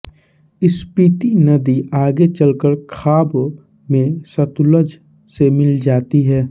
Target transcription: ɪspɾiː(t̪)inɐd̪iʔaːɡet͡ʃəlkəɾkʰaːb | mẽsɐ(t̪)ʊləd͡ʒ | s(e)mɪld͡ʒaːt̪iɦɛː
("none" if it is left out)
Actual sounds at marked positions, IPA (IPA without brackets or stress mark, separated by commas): t̪, t̪, e